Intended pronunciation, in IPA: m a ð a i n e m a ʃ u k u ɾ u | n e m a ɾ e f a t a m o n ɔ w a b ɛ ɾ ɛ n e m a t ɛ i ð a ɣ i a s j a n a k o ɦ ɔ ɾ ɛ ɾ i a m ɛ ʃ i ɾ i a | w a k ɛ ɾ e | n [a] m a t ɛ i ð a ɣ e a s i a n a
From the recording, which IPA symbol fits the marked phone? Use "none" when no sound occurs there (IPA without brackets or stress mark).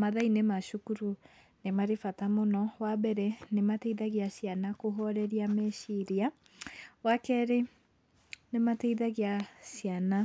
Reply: e